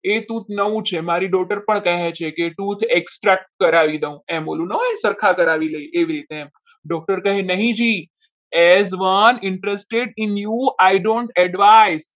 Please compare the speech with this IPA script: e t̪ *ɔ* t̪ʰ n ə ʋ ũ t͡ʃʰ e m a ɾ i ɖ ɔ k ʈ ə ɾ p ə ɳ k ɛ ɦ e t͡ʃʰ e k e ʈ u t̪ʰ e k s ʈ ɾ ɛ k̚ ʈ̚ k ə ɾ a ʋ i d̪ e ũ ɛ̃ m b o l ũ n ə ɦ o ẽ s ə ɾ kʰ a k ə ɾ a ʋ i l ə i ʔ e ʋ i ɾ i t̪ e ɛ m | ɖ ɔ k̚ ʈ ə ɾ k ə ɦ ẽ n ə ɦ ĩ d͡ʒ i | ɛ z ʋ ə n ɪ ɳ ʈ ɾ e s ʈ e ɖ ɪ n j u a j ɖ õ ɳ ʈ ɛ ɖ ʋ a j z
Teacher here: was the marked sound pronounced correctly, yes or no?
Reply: no